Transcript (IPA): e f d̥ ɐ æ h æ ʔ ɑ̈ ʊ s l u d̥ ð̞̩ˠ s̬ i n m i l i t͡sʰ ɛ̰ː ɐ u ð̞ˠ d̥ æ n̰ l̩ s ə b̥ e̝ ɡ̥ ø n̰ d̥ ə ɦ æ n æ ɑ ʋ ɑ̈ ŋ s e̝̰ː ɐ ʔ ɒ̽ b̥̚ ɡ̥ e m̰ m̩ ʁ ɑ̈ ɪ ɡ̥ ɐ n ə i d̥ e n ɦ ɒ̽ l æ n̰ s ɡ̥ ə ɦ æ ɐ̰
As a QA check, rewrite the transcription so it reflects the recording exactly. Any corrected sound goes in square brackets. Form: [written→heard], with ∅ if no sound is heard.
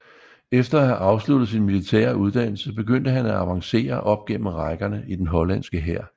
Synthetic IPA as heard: e f d̥ ɐ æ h æ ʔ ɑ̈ ʊ s l u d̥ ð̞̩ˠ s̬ i n m i l i t͡sʰ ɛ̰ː ɐ u ð̞ˠ d̥ æ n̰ l̩ s ə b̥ e̝ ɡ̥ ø n̰ d̥ ə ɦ æ n æ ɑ ʋ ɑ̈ ŋ s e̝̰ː ɐ ʔ ɒ̽ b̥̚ ɡ̥ e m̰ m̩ ʁ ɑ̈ ɪ ɡ̥ ɐ n ə i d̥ e n ɦ ɒ̽ l æ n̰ s ɡ̥ ə ɦ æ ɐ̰

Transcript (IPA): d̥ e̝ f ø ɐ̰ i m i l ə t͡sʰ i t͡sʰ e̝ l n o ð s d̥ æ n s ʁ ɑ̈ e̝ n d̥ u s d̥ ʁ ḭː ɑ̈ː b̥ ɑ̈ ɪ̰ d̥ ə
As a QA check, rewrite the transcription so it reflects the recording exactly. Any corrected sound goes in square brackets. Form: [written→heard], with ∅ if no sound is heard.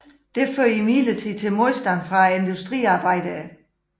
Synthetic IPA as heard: d̥ e̝ f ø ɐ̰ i m i l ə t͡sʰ i t͡sʰ e̝ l [n→m] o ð s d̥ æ n [s→f] ʁ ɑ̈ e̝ n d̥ u s d̥ ʁ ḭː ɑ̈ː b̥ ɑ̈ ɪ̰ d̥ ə

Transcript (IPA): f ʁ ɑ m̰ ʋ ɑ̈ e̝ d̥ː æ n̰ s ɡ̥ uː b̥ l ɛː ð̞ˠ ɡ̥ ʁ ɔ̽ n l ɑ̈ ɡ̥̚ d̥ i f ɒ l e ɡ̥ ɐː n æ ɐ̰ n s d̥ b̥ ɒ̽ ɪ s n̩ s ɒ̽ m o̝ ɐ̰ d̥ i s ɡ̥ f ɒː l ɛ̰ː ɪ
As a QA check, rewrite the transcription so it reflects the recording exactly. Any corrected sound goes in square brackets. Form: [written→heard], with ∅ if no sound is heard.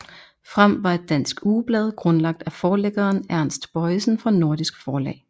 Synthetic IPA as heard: f ʁ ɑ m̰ ʋ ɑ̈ e̝ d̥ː æ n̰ s ɡ̥ uː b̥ l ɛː ð̞ˠ ɡ̥ ʁ ɔ̽ n l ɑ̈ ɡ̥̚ d̥ [i→æ] f [ɒ→ɒː] l e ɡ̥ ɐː n æ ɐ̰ n s d̥ b̥ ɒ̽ ɪ s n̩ [s→f] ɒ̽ [m→n] o̝ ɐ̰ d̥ i s ɡ̥ f ɒː l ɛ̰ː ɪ

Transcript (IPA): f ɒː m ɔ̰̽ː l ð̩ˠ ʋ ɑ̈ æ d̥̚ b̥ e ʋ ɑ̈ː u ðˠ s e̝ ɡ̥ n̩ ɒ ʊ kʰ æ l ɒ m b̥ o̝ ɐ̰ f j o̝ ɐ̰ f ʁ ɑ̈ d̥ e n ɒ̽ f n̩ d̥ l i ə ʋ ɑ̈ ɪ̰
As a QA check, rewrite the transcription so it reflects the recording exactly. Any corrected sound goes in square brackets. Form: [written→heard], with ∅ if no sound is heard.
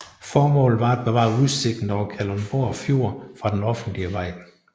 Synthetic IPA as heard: f ɒː m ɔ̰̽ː l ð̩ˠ ʋ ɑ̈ æ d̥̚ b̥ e ʋ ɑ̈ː u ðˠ s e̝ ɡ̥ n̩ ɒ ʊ kʰ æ l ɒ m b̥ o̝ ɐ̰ f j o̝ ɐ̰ f ʁ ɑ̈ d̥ e n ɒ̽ f n̩ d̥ l i ə ʋ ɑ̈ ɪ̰

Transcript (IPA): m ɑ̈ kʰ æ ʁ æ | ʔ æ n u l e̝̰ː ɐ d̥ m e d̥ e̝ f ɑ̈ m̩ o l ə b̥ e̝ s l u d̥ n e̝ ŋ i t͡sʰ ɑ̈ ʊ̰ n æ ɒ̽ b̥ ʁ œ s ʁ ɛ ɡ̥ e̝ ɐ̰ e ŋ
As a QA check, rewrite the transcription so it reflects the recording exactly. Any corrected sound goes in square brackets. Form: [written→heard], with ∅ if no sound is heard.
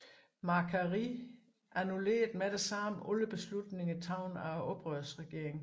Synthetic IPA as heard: m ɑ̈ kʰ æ ʁ [æ→i] | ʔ æ n u l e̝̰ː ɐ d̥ m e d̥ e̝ [f→s] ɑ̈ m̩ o l ə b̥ e̝ s l u d̥ n e̝ ŋ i t͡sʰ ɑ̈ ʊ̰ n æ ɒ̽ b̥ ʁ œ s ʁ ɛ ɡ̥ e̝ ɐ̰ e ŋ

